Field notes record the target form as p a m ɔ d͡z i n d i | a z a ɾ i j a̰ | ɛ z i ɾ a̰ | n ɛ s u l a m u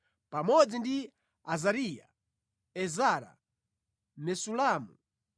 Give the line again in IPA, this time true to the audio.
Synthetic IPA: p a m ɔ d͡z i n d i | a z a ɾ i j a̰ | ɛ z a ɾ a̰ | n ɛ s u l a m u